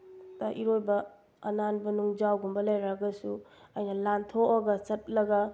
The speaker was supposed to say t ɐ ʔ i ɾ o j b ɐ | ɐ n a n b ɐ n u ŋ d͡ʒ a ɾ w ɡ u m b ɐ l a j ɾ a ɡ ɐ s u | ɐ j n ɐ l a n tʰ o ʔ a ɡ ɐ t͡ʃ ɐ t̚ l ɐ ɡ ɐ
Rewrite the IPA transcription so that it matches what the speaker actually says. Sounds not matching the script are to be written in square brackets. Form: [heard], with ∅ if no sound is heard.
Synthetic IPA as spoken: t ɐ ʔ i ɾ o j b ɐ | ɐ n a n b ɐ n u ŋ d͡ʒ a [∅] w ɡ u m b ɐ l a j ɾ a ɡ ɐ s u | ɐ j n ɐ l a n tʰ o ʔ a ɡ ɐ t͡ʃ ɐ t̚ l ɐ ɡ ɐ

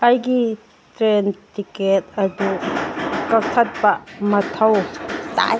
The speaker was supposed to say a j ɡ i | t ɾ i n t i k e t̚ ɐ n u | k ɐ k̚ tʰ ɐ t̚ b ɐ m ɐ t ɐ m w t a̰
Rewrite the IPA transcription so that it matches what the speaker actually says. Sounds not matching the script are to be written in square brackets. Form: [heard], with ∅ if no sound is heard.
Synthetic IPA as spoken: a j ɡ i | t ɾ [e] n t i k e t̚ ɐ [d] u | k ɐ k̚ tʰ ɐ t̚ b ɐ m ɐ [tʰ] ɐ [∅] w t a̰

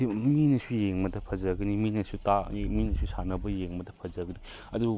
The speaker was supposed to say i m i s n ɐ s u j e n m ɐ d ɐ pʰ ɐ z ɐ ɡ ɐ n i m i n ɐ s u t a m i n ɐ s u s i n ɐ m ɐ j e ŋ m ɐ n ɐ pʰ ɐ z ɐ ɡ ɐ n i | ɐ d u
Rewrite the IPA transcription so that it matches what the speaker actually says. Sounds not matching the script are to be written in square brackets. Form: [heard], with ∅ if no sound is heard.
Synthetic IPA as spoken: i m i [∅] n ɐ s u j e [ŋ] m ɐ d ɐ pʰ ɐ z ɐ ɡ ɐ n i m i n ɐ s u t a m i n ɐ s u s [a] n ɐ [b] ɐ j e ŋ m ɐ [d] ɐ pʰ ɐ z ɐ ɡ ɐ n i | ɐ d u

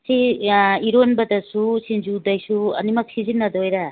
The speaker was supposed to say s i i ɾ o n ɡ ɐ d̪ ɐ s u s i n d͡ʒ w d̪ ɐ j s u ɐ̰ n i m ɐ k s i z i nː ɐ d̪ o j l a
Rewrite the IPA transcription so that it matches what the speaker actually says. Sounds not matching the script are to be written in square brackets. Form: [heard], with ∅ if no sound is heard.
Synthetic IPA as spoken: s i i ɾ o n [b] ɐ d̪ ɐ s u s i n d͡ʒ [u] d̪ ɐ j s u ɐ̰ n i m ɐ k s i z i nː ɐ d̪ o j [ɾ] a

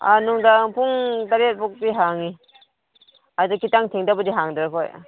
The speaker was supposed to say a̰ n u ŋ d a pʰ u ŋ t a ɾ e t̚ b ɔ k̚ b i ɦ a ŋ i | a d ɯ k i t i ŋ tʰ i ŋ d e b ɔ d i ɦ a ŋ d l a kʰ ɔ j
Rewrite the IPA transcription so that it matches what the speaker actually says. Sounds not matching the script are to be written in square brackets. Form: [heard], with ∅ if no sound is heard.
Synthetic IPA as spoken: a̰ n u ŋ d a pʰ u ŋ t a ɾ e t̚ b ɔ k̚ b i ɦ a ŋ i | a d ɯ k i t [a] ŋ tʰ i ŋ d [a] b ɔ d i ɦ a ŋ d [ɾ] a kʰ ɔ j

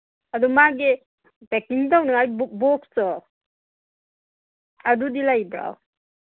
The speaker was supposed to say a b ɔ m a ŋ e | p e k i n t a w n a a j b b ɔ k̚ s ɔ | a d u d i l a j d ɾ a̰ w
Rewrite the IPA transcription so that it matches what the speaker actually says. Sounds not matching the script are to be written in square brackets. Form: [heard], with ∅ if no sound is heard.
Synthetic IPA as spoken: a [d] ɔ m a [ɡ] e | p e k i [ŋ] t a w n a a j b b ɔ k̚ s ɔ | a d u d i l a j [b] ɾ a̰ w

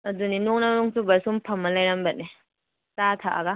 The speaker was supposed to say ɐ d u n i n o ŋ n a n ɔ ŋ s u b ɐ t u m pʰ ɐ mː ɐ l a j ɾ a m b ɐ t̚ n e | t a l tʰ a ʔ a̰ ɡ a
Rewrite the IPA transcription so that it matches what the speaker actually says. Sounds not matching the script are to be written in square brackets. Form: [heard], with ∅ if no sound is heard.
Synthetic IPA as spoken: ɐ d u n i n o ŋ n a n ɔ ŋ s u b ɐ [s] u m pʰ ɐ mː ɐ l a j ɾ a m b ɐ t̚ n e | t a [∅] tʰ a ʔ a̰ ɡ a

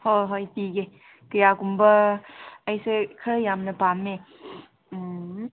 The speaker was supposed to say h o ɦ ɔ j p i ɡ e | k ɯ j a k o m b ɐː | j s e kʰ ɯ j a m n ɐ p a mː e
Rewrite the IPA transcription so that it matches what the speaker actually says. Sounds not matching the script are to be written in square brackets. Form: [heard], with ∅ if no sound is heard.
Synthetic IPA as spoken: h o ɦ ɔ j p i ɡ e | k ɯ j a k [u] m b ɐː | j s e kʰ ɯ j a m n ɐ p a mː e

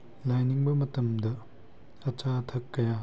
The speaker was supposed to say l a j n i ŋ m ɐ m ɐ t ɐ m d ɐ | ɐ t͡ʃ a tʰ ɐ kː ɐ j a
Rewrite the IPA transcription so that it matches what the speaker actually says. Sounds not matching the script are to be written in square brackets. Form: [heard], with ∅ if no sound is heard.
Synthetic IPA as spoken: l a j n i ŋ [b] ɐ m ɐ t ɐ m d ɐ | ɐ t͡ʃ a tʰ ɐ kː ɐ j a

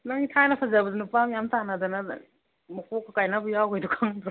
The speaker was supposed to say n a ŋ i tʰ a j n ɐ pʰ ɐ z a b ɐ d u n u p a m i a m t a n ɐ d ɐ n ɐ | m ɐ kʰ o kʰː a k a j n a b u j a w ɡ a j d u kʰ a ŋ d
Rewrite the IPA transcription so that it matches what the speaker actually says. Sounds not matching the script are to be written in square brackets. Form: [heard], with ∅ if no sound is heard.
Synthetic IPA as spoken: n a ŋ i tʰ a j n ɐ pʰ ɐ z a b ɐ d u n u p a m [j] a m t a n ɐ d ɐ n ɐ | m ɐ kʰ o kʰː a k a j n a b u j a w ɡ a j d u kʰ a ŋ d

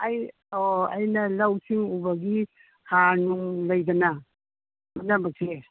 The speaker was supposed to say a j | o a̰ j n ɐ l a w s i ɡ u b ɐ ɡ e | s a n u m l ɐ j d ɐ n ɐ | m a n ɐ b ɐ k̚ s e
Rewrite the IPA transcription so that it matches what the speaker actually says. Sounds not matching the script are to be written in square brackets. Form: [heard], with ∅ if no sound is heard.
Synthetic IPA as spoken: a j | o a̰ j n ɐ l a w s i [ŋ] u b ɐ ɡ [i] | [h] a n u [ŋ] l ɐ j d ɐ n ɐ | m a n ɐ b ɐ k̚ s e

